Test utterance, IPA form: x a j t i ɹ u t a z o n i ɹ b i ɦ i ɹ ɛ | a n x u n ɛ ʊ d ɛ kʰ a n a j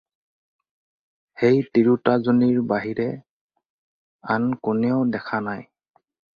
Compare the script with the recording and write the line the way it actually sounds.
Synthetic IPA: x e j t i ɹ u t a z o n i ɹ b a ɦ i ɹ ɛ | a n k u n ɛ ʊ d ɛ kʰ a n a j

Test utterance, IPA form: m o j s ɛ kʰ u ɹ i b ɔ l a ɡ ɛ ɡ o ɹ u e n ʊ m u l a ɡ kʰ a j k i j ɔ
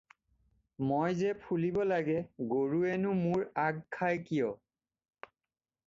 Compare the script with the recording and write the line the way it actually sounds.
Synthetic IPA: m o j z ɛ pʰ u l i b ɔ l a ɡ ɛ ɡ o ɹ u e n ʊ m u ɹ a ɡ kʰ a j k i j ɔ

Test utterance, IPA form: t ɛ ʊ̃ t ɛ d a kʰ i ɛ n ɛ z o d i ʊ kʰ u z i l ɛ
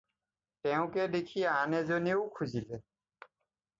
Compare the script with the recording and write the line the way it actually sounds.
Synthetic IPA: t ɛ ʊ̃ k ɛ d e kʰ i a n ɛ z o n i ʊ kʰ u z i l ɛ

